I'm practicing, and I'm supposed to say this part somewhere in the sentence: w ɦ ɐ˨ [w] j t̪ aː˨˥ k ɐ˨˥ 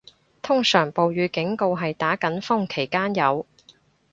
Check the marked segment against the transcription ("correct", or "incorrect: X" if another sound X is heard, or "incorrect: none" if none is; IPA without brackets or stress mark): incorrect: none